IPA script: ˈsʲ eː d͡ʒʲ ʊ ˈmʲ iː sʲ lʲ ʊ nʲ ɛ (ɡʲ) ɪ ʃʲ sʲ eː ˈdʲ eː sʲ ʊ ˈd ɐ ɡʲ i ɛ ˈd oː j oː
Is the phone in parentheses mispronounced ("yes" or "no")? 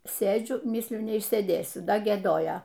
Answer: yes